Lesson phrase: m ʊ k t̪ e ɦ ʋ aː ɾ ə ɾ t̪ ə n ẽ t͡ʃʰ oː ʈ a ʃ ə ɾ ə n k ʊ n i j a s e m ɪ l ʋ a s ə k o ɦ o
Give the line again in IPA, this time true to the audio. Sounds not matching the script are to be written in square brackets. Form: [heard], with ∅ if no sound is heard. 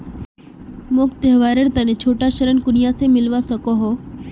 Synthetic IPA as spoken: m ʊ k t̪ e ɦ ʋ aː ɾ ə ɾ t̪ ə n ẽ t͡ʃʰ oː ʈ a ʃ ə ɾ ə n k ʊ n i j a s e m ɪ l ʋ a s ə k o ɦ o

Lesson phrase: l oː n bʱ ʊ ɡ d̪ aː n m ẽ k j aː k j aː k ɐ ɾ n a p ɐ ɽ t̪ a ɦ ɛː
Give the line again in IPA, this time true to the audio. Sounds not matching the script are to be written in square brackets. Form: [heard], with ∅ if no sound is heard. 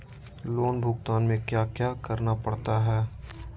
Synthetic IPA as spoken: l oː n bʱ ʊ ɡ [t̪] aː n m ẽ k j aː k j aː k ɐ ɾ n a p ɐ ɽ t̪ a ɦ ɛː

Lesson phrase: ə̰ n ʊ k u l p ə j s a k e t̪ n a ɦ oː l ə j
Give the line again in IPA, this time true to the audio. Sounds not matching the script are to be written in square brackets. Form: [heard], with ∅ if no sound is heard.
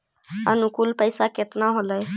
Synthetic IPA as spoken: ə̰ n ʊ k u l p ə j s a k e t̪ n a ɦ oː l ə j

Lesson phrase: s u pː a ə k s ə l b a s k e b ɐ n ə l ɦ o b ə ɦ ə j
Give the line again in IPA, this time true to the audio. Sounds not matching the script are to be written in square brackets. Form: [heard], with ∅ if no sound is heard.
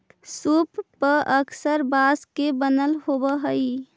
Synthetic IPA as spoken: s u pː [ə] ə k s ə [ɾ] b a s k e b [ə] n ə l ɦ o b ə ɦ ə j

